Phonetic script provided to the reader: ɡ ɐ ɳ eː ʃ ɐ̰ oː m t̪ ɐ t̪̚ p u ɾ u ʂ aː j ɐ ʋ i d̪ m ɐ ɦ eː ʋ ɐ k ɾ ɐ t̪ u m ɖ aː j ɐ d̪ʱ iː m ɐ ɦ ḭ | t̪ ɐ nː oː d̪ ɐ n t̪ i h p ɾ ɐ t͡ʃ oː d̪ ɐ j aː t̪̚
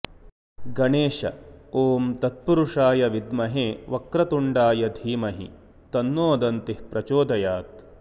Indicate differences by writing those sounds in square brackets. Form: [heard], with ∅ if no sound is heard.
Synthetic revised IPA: ɡ ɐ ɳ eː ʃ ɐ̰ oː m t̪ ɐ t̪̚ p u ɾ u ʂ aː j ɐ ʋ i d̪ m ɐ ɦ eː ʋ ɐ k ɾ ɐ t̪ u [ɳ] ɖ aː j ɐ d̪ʱ iː m ɐ ɦ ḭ | t̪ ɐ nː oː d̪ ɐ n t̪ i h p ɾ ɐ t͡ʃ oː d̪ ɐ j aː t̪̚